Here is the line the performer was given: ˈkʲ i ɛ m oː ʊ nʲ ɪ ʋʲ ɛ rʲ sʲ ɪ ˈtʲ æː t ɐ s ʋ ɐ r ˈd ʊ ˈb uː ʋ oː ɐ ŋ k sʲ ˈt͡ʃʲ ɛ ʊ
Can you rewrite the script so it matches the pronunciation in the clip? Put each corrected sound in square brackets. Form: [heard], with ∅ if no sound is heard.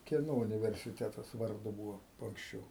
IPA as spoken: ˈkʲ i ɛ [n] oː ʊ nʲ ɪ ʋʲ ɛ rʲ sʲ ɪ ˈtʲ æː t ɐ s ʋ ɐ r ˈd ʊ ˈb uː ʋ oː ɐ ŋ k sʲ ˈt͡ʃʲ ɛ ʊ